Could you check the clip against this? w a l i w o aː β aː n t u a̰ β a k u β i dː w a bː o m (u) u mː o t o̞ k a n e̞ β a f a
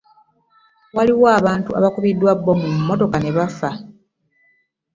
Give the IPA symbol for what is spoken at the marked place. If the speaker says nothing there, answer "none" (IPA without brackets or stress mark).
u